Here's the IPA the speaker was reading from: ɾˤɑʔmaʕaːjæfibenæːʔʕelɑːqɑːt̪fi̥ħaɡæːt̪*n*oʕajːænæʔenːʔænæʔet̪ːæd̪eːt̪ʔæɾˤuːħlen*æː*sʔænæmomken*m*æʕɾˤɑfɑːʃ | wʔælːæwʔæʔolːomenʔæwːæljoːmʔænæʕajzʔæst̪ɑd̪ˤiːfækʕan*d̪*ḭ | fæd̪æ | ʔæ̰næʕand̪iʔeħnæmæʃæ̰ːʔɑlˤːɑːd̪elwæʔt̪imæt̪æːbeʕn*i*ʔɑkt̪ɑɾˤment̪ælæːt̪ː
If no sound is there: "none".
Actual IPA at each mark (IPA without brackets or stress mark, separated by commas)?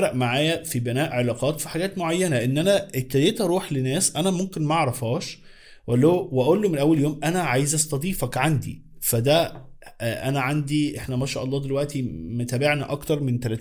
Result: m, æː, m, d̪, æ